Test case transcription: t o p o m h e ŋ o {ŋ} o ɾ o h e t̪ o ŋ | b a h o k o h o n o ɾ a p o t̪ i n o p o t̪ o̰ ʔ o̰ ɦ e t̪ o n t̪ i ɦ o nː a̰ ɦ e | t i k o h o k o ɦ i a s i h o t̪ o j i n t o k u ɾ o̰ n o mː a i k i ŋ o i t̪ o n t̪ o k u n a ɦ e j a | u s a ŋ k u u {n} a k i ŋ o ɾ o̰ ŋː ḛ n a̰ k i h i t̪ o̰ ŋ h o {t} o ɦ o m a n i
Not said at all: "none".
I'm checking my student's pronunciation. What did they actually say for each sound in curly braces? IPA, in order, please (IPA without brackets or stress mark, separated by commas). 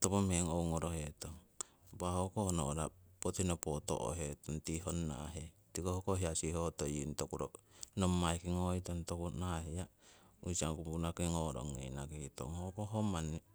ŋ, n, k